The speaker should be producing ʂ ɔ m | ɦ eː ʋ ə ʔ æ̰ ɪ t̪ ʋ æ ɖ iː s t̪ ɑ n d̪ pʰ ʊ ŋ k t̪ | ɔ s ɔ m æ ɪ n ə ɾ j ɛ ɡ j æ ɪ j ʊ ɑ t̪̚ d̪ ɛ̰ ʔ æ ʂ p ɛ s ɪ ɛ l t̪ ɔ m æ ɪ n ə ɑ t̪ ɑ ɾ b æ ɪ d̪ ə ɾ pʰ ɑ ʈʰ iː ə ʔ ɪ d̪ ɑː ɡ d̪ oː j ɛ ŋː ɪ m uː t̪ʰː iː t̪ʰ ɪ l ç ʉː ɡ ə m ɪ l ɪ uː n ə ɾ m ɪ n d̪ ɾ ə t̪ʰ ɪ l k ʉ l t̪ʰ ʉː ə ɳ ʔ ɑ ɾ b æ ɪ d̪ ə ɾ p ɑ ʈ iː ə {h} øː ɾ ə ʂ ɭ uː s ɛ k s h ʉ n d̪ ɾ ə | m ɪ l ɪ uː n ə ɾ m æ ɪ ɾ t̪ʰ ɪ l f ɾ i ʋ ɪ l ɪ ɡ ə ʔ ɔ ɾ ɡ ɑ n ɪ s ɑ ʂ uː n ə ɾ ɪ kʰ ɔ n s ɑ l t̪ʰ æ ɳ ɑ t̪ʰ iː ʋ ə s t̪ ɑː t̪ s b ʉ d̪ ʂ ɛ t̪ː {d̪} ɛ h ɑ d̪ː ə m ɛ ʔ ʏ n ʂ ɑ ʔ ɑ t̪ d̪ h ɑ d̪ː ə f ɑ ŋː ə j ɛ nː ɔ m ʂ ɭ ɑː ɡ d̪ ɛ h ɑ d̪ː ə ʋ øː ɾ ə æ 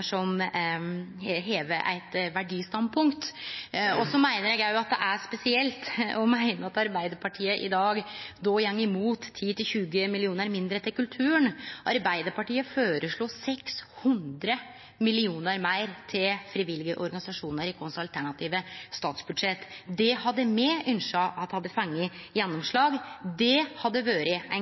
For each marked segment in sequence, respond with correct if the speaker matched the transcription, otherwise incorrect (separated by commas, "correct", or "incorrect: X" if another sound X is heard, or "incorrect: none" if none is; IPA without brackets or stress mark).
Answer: incorrect: f, correct